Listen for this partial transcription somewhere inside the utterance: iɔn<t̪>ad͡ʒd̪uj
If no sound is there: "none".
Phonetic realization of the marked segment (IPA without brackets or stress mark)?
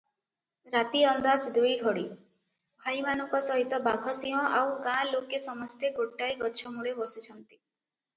d̪